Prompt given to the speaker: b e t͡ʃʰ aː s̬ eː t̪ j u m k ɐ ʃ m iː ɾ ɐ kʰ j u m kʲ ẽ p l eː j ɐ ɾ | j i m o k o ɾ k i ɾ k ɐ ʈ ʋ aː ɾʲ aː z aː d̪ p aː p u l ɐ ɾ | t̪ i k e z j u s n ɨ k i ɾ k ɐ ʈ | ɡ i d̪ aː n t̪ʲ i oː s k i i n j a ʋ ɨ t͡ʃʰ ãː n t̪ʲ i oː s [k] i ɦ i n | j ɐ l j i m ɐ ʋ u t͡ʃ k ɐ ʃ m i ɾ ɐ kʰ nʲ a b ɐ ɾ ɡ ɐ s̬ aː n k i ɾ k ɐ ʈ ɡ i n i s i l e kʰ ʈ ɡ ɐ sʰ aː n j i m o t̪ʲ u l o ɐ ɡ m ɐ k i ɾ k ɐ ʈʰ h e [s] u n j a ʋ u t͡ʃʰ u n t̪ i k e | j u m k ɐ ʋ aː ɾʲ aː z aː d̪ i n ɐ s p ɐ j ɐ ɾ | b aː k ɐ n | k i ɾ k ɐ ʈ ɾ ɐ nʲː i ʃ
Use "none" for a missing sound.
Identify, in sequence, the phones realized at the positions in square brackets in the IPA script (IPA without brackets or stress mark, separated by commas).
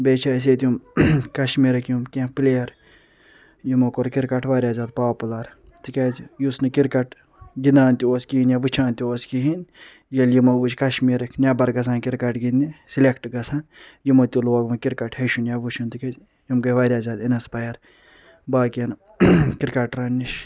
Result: k, ʃ